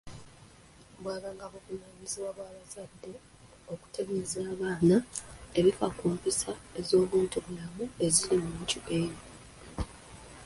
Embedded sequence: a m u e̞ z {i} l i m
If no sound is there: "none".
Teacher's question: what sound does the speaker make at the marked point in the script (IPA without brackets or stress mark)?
i